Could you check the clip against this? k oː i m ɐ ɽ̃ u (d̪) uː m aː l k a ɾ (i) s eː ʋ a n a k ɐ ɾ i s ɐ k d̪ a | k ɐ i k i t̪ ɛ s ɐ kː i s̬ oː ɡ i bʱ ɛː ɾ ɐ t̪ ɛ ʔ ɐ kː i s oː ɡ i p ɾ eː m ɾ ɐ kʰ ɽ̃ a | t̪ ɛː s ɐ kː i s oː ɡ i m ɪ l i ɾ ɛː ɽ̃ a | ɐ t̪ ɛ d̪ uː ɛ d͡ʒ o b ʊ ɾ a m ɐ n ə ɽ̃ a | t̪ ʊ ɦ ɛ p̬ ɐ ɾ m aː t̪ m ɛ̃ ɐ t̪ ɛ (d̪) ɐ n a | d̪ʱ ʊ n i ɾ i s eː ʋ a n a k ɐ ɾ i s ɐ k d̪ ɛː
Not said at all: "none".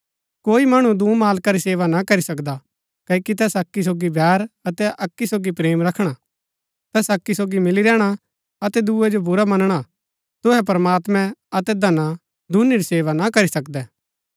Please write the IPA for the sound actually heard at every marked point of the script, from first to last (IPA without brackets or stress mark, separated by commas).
d̪, i, d̪